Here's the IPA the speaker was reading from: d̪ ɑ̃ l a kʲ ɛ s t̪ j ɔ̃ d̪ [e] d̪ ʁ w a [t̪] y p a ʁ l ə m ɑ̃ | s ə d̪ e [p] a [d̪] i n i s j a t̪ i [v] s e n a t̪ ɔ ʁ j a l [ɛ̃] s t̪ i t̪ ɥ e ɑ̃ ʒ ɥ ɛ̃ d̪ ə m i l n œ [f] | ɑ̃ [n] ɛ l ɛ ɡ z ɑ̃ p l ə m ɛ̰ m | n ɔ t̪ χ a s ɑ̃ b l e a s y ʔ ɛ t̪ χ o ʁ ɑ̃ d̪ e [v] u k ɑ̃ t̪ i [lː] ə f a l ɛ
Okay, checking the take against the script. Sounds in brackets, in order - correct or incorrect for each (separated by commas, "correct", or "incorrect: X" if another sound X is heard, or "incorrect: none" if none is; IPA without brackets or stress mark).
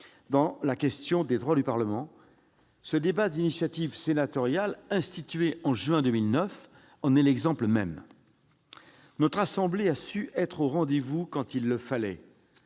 correct, incorrect: d̪, incorrect: b, correct, correct, correct, correct, correct, correct, correct